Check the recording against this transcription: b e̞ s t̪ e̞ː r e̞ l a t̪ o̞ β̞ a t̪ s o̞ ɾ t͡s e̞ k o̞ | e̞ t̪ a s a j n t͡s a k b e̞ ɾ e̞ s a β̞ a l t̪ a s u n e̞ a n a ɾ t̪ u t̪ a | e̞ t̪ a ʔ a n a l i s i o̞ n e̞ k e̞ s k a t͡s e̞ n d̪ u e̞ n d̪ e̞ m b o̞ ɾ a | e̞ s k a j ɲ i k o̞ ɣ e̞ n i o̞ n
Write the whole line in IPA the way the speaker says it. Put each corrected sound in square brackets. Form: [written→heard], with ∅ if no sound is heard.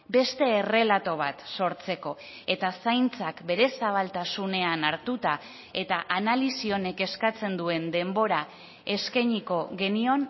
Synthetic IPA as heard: b e̞ s t̪ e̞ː r e̞ l a t̪ o̞ β̞ a t̪ s o̞ ɾ t͡s e̞ k o̞ | e̞ t̪ a s a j n t͡s a k b e̞ ɾ e̞ s a β̞ a l t̪ a s u n e̞ a n a ɾ t̪ u t̪ a | e̞ t̪ a ʔ a n a l i s i o̞ n e̞ k e̞ s k a t͡s e̞ n d̪ u e̞ n d̪ e̞ m b o̞ ɾ a | e̞ s k a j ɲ i k o̞ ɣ e̞ n i o̞ n